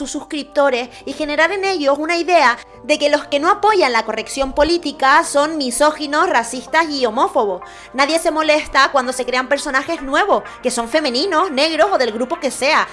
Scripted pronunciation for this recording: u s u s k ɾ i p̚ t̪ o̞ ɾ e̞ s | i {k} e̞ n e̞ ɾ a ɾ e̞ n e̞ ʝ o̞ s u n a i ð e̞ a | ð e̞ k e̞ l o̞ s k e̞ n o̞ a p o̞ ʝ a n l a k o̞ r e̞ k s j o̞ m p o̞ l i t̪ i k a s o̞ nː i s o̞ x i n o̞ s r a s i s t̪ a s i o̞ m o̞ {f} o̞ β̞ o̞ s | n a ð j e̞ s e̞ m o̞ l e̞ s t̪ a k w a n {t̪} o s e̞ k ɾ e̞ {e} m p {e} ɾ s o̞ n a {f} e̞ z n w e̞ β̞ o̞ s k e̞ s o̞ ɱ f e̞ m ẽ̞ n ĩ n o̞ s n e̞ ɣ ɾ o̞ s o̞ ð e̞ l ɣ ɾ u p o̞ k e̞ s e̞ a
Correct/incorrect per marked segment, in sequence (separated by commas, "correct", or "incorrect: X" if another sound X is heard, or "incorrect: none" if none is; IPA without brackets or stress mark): incorrect: x, correct, incorrect: d̪, incorrect: a, correct, incorrect: x